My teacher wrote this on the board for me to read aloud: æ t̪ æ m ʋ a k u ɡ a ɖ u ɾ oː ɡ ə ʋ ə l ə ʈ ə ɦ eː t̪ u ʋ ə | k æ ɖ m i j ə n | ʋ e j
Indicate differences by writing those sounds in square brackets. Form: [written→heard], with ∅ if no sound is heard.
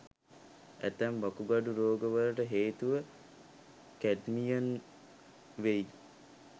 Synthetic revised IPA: æ t̪ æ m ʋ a k u ɡ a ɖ u ɾ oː ɡ ə ʋ ə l ə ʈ ə ɦ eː t̪ u ʋ ə | k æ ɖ m i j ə n | ʋ e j

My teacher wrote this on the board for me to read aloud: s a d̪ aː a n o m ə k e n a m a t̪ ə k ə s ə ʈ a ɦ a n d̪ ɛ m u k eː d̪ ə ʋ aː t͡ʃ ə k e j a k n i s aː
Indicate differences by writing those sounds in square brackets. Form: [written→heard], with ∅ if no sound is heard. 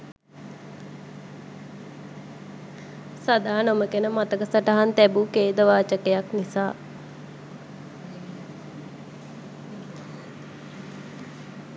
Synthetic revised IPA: s a d̪ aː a n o m ə k e n [a→ə] m a t̪ ə k ə s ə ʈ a ɦ a n [d̪→t̪] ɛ [m→b] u k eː d̪ ə ʋ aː t͡ʃ ə k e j a k n i s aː

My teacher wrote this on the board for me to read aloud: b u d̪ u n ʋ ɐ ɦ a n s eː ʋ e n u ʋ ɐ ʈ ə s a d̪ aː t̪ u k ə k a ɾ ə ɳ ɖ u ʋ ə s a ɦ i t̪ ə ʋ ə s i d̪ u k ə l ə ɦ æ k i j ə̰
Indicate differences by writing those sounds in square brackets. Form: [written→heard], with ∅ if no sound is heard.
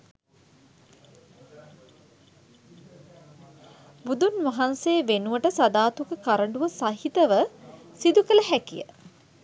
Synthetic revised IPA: b u d̪ u n ʋ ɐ ɦ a n s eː ʋ e n u ʋ [ɐ→ə] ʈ ə s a d̪ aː t̪ u k ə k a ɾ ə ɳ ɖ u ʋ ə s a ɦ i t̪ ə ʋ ə s i d̪ u k ə l ə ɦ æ k i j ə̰

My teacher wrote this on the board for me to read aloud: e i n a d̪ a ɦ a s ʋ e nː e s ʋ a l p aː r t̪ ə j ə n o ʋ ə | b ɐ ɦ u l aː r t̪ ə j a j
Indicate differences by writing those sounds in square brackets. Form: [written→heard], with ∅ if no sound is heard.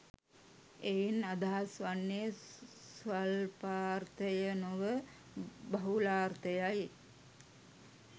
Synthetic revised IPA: e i n a d̪ a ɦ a s ʋ [e→a] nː e s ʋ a l p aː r t̪ ə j ə n o ʋ ə | b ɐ ɦ u l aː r t̪ ə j a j

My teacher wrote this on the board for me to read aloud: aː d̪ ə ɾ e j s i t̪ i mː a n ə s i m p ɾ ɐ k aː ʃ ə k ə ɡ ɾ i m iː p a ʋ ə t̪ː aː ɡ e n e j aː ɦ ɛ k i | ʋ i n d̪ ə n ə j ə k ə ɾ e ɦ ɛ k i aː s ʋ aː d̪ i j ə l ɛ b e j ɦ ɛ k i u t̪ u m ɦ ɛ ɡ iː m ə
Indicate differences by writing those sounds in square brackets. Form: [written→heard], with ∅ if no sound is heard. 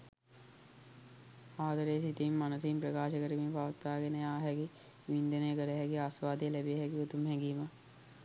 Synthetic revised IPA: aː d̪ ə ɾ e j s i t̪ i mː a n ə s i m p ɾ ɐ k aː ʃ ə k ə [ɡ→∅] ɾ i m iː p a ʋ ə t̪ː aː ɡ e n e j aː ɦ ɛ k i | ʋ i n d̪ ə n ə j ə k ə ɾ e ɦ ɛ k i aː s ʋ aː d̪ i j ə l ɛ b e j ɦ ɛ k i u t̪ u m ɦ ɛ ɡ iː m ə

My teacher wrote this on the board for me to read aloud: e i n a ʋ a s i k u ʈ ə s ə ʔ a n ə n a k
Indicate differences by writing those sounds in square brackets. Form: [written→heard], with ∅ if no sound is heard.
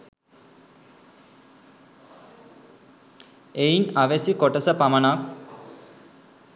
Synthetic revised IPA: e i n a ʋ [a→e] s i k [u→o] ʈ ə s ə [ʔ→p] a [n→m] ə n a k

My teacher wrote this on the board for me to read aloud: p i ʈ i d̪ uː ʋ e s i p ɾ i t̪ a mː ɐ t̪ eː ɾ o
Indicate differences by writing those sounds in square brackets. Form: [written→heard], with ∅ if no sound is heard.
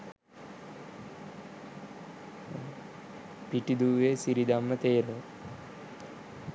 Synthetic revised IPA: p i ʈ i d̪ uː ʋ e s i [p→∅] ɾ i [t̪→d̪] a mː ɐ t̪ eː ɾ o

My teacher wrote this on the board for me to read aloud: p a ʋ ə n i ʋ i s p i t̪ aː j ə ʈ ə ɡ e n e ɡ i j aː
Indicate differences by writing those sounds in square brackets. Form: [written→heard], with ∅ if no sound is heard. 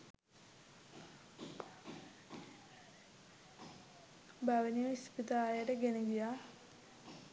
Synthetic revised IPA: [p→b] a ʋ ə n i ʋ i s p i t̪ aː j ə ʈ ə ɡ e n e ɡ i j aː

